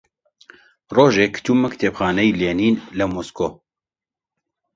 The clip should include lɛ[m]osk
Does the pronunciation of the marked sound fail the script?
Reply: no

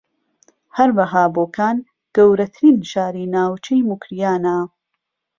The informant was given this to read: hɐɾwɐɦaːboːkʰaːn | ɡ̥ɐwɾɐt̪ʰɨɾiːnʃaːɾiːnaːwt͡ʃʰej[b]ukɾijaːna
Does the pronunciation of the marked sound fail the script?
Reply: yes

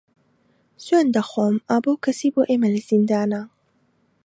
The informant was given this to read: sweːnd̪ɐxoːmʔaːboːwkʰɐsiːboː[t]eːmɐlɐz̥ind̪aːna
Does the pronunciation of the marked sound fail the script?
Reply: yes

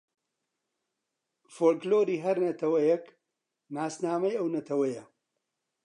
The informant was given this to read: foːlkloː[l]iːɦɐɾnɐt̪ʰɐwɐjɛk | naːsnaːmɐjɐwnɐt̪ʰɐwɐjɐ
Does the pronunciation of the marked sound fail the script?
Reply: yes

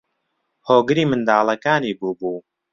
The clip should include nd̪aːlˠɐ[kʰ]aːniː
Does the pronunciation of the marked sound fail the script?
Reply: yes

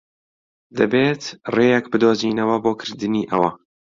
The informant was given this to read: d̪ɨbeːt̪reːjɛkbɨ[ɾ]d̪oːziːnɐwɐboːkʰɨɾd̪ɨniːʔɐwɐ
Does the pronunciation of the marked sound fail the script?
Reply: yes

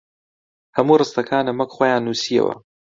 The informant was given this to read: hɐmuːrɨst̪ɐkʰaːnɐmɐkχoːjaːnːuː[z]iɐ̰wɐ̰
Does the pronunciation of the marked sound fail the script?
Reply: yes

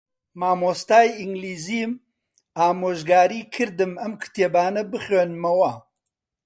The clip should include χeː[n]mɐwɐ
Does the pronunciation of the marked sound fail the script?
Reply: no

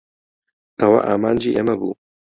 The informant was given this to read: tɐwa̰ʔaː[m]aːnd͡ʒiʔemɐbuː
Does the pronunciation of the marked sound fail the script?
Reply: no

